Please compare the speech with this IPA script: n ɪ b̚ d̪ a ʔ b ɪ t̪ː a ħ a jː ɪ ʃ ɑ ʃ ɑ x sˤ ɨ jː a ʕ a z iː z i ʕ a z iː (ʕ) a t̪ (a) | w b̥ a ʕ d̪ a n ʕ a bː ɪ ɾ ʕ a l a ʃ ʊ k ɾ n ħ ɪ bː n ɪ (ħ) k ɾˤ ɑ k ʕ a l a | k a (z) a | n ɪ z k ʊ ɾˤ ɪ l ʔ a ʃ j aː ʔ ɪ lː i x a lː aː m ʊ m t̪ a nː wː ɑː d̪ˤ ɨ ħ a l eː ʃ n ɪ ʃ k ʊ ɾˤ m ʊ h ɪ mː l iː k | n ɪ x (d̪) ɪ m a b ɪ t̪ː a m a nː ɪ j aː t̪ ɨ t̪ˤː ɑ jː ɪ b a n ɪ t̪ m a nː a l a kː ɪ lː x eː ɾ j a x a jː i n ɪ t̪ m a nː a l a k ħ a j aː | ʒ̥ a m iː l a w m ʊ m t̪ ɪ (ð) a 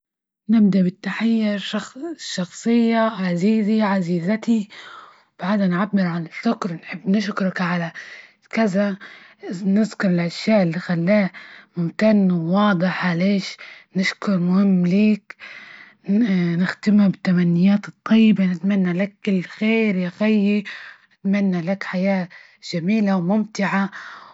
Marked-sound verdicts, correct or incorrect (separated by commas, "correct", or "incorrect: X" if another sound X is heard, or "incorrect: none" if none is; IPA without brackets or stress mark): incorrect: z, incorrect: i, incorrect: ʃ, correct, incorrect: t̪, incorrect: ʕ